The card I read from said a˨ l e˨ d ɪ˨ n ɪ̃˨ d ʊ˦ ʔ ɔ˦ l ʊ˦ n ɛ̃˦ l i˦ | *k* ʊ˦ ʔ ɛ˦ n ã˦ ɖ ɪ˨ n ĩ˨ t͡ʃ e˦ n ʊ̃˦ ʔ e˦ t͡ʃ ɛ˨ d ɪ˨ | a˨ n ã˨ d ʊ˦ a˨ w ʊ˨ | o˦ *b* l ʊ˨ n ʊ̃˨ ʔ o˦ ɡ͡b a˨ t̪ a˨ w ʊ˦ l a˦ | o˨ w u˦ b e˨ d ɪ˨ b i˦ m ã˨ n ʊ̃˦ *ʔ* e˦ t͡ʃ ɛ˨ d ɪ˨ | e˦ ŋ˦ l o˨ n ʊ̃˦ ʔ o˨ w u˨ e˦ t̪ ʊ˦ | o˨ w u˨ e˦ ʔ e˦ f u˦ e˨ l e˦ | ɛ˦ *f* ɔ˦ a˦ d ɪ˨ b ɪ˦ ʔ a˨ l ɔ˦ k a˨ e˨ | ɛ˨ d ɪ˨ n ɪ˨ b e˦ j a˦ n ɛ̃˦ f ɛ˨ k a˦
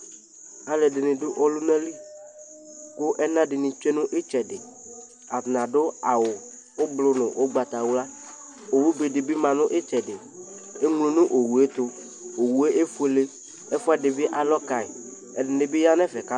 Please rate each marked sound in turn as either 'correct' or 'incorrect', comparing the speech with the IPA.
correct, correct, correct, correct

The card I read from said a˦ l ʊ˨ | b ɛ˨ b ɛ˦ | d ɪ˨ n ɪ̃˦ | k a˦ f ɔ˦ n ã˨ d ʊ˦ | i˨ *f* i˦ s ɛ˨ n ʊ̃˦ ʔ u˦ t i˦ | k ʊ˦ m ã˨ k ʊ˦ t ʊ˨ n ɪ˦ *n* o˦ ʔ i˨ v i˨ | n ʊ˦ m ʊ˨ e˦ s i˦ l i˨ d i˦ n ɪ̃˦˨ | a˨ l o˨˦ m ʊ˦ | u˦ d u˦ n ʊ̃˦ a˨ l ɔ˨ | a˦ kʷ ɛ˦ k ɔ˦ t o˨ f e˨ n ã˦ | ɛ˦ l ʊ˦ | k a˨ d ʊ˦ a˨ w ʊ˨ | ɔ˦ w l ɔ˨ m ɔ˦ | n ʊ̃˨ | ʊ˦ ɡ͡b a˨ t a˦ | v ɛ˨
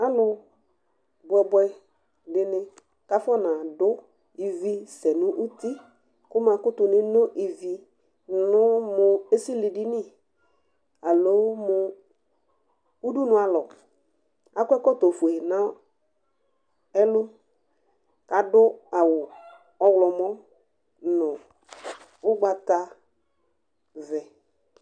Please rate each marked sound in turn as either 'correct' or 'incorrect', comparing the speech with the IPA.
incorrect: v, correct

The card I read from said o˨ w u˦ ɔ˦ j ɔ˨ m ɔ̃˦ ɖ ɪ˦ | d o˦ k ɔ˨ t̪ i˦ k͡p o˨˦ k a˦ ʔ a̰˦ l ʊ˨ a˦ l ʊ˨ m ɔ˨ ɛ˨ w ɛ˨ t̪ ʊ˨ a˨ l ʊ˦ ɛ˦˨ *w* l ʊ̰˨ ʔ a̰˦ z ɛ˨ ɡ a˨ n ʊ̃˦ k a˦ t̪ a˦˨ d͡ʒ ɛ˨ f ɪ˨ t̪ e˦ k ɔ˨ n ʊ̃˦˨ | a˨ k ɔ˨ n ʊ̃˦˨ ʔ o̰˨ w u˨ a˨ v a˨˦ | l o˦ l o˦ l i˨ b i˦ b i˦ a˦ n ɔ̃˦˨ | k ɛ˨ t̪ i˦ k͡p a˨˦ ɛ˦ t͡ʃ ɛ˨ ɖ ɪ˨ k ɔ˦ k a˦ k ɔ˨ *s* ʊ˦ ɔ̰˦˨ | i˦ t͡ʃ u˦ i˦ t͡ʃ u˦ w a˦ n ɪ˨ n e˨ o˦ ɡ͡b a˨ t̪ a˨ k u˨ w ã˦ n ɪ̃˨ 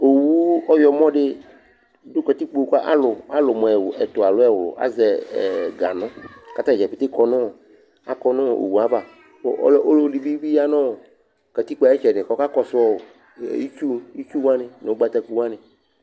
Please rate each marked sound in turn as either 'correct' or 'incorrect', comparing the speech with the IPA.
correct, correct

